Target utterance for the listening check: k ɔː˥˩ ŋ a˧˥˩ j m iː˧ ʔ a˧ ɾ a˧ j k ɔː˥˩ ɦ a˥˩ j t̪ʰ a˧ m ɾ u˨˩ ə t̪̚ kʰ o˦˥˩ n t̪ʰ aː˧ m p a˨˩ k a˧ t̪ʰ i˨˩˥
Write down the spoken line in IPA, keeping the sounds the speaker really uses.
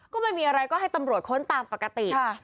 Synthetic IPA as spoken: k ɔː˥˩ m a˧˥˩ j m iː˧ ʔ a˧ ɾ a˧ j k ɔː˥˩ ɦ a˥˩ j t̪ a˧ m ɾ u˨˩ ə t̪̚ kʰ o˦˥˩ n t̪ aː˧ m p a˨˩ k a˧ t̪ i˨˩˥